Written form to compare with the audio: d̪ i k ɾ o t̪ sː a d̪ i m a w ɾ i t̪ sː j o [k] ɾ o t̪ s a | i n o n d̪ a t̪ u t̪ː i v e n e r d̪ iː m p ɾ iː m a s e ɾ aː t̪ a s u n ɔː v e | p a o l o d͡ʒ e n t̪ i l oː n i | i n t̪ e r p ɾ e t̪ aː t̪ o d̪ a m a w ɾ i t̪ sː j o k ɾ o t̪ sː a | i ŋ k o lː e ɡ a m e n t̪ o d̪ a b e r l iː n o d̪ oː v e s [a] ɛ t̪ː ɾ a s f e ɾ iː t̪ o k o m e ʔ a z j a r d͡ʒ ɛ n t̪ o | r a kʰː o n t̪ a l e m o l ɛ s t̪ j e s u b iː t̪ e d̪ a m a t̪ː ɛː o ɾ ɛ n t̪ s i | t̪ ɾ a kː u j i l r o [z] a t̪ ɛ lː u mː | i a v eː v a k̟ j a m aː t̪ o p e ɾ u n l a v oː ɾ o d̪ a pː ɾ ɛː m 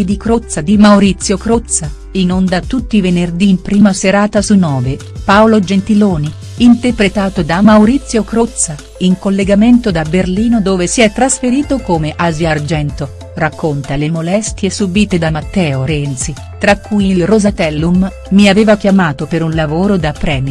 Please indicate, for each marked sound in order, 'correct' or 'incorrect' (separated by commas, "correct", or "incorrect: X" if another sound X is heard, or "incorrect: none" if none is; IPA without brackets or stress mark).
correct, incorrect: i, correct